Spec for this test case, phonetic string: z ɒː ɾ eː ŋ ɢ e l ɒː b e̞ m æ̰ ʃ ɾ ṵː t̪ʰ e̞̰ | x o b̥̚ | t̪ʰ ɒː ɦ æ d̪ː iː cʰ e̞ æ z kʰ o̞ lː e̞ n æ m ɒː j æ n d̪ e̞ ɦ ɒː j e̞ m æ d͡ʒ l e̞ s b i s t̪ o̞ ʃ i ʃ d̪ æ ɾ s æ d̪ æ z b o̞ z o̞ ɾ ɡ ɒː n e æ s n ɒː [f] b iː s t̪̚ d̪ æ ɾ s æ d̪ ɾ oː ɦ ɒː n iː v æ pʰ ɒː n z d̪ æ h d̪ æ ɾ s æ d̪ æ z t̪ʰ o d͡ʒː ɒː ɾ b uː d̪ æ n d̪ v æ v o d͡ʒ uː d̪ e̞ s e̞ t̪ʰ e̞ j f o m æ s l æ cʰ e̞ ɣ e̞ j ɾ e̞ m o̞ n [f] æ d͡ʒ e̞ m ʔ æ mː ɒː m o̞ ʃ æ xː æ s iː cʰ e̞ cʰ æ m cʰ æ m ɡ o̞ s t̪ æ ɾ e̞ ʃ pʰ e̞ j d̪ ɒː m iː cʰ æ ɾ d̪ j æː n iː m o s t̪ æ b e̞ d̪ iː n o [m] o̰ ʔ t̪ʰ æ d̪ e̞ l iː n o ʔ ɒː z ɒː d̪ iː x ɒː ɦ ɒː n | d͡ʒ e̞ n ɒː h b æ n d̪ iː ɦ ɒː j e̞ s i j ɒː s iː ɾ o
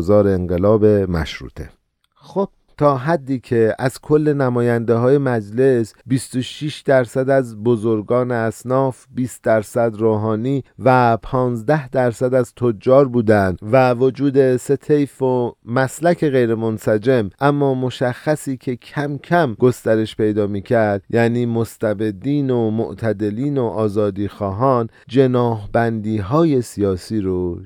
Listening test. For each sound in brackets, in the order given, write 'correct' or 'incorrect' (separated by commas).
correct, incorrect, correct